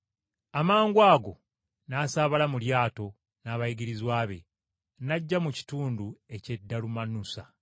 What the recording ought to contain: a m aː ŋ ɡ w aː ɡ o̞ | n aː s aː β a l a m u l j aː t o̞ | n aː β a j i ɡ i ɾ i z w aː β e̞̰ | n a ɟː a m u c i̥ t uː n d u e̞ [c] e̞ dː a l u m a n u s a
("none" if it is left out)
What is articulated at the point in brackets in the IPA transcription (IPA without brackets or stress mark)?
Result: c